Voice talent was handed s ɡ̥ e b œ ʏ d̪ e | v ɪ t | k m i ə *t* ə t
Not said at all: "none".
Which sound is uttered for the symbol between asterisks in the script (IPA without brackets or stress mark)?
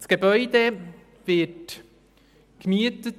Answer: t